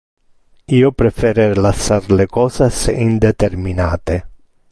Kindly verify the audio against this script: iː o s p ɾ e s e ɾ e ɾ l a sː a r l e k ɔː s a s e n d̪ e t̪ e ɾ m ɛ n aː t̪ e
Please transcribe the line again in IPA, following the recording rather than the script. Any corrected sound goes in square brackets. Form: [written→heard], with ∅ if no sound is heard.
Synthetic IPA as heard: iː o [s→∅] p ɾ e [s→f] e ɾ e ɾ l a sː a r l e k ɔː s a s [e→i] n d̪ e t̪ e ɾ m [ɛ→i] n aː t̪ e